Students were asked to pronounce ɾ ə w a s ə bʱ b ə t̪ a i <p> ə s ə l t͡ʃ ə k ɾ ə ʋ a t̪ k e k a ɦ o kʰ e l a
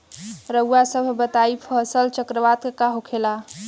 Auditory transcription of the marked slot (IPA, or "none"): pʰ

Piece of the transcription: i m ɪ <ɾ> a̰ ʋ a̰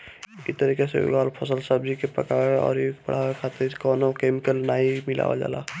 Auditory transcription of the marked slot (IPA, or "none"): l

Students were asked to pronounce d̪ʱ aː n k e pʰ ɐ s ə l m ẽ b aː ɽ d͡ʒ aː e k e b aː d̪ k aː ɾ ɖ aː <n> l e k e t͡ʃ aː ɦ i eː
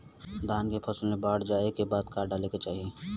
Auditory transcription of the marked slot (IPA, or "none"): none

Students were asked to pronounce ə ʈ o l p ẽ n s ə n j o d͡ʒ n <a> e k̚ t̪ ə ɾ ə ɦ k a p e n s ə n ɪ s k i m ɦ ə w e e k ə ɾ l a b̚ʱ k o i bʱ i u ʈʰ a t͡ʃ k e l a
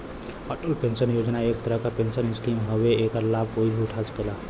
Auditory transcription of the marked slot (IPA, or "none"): a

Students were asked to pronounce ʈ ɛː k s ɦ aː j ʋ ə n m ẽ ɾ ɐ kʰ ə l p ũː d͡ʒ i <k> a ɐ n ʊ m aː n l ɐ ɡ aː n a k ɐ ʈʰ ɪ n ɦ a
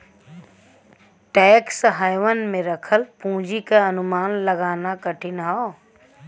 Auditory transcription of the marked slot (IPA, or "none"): k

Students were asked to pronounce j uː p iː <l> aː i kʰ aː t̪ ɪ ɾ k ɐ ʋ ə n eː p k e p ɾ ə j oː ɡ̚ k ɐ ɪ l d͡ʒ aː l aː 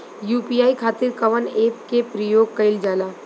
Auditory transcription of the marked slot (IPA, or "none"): none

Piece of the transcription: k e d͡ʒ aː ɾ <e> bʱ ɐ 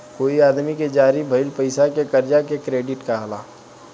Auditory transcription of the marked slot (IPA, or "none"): i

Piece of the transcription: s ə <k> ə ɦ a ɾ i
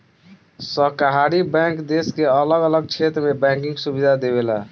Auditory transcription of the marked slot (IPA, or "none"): k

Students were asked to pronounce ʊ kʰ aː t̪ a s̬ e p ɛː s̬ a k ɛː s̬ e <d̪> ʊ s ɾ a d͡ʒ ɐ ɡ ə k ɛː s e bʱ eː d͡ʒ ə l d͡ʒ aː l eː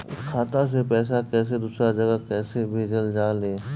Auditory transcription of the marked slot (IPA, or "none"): d̪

